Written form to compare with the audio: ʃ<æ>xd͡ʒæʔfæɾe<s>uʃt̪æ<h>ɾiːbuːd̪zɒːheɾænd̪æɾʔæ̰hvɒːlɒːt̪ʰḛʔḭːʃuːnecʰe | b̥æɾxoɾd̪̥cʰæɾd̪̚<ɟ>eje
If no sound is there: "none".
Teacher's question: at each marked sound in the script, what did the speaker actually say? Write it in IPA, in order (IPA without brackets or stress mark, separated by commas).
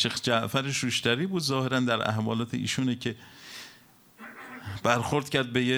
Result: e, ʃ, none, b